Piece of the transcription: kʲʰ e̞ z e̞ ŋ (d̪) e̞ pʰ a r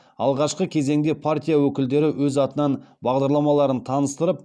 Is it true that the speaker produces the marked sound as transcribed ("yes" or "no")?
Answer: yes